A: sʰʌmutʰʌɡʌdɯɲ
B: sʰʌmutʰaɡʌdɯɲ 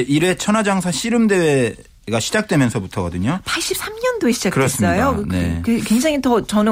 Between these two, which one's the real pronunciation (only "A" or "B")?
A